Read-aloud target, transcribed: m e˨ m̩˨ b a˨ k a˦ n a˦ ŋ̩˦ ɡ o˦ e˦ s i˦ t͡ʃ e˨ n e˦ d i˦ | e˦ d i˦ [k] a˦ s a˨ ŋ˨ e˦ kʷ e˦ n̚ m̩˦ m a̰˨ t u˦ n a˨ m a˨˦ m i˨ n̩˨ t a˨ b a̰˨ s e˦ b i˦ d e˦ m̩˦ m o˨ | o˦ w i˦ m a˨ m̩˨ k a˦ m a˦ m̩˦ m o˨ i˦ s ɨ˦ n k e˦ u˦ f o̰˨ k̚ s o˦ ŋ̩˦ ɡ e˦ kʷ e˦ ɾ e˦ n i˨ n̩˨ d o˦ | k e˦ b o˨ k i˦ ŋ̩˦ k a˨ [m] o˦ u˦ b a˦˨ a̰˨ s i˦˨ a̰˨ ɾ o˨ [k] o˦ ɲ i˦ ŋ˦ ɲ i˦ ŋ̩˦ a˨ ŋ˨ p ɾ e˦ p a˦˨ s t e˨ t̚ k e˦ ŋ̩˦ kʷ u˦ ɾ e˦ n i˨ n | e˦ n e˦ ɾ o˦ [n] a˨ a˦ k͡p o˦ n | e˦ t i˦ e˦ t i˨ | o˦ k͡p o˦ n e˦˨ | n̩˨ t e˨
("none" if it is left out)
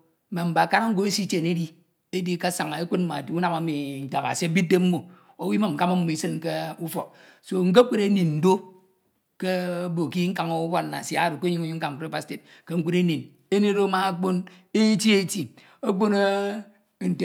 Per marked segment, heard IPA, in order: k, ŋ, k, m

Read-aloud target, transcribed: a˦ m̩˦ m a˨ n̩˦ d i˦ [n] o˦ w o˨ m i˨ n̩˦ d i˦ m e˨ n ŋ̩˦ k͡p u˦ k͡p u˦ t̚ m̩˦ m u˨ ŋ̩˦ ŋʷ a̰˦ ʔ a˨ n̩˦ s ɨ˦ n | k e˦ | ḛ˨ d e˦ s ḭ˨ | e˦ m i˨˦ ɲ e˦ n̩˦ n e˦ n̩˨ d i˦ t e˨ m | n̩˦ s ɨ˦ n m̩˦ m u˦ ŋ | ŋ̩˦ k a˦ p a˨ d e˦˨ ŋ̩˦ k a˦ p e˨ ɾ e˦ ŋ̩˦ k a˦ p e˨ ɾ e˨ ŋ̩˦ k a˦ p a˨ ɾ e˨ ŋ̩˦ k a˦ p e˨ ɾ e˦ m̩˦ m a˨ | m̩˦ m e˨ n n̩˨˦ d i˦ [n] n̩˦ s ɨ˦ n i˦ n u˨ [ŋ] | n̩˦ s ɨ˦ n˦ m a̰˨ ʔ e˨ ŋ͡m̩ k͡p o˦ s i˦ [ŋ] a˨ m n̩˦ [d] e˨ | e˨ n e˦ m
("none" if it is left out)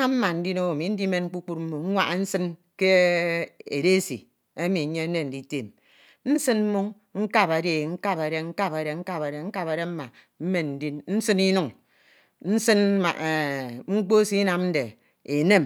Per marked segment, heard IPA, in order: n, n, ŋ, n, d

